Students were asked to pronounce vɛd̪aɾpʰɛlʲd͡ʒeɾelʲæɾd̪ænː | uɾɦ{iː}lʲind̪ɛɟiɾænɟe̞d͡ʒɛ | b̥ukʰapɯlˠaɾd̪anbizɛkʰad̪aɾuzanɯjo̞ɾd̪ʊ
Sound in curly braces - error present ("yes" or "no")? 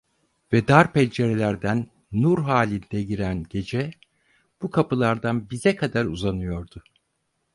yes